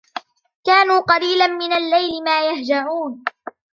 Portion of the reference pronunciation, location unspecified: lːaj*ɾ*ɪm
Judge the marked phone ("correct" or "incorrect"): incorrect